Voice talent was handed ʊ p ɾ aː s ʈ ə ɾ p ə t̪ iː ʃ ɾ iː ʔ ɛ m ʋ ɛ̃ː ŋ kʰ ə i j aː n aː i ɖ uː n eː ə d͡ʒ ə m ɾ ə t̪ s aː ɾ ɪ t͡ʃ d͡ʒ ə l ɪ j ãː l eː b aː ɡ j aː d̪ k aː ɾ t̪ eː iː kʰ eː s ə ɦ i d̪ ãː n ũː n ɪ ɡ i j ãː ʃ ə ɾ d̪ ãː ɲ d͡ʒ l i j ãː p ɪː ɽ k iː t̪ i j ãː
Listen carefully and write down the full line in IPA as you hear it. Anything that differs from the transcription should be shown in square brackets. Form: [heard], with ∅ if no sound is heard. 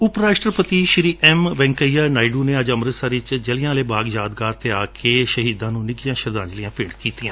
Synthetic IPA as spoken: ʊ p ɾ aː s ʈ ə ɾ p ə t̪ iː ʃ ɾ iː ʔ ɛ m ʋ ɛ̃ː ŋ [k] ə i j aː n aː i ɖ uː n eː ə d͡ʒ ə m ɾ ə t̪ s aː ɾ ɪ t͡ʃ d͡ʒ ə l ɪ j ãː l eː b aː ɡ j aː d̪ [ɡ] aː ɾ t̪ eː [aː] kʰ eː [ʃ] ə ɦ [iː] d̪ ãː n ũː n ɪ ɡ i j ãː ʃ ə ɾ d̪ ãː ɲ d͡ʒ l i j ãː p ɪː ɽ k iː t̪ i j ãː